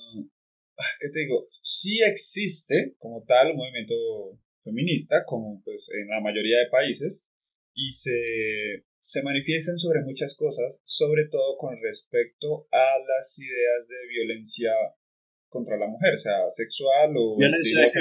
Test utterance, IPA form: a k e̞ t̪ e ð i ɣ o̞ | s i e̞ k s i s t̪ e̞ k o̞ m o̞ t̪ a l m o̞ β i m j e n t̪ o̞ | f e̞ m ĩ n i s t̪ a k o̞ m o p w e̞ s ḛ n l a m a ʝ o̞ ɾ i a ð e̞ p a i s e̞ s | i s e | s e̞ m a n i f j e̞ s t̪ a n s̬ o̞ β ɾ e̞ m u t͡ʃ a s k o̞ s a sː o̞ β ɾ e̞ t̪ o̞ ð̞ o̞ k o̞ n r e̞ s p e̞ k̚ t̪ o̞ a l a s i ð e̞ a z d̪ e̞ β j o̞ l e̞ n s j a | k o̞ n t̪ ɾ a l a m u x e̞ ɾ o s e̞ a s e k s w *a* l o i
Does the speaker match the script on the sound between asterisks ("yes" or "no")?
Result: yes